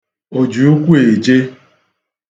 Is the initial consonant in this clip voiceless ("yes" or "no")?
no